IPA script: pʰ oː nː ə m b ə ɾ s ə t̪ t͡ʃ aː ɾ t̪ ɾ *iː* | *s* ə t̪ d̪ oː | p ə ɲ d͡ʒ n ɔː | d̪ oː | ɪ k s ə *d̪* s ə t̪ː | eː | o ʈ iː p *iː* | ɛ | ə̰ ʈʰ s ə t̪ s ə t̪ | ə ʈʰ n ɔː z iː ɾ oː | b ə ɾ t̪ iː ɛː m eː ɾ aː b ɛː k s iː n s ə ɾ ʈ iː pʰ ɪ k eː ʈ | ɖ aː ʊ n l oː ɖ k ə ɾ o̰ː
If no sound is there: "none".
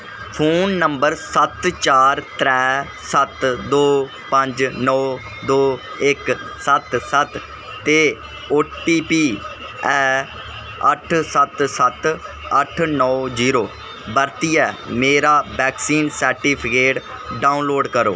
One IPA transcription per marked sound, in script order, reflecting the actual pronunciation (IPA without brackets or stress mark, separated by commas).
ɛː, s, t̪, iː